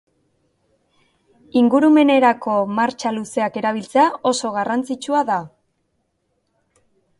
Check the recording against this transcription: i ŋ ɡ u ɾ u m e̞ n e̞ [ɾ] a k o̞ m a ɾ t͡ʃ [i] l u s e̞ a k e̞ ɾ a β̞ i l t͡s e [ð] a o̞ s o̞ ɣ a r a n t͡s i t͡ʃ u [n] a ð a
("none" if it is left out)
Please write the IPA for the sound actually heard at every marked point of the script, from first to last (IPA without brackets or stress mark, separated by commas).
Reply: ɾ, a, none, none